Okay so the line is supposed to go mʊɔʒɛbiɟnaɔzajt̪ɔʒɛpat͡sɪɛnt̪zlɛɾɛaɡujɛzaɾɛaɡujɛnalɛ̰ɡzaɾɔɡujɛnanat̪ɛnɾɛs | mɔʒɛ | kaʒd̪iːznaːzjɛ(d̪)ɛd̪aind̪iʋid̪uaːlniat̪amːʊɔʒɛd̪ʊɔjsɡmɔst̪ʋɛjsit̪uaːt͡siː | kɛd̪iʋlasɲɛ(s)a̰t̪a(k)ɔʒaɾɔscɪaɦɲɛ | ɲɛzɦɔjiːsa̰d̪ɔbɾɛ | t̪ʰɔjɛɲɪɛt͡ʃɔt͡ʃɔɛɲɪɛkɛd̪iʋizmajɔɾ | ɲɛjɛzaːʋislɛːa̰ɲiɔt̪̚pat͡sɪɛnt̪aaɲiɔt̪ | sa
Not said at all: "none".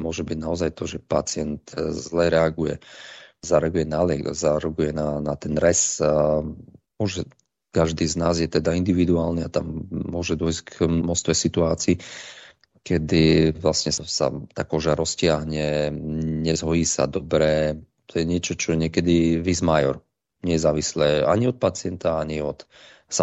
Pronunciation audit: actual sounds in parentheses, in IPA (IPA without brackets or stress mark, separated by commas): t̪, s, k